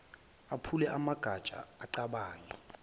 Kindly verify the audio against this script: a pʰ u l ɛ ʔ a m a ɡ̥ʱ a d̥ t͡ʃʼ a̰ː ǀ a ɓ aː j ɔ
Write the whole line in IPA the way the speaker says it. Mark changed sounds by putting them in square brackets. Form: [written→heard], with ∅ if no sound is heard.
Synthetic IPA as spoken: a pʰ u l ɛ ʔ a m a ɡ̥ʱ a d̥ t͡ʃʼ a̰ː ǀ a ɓ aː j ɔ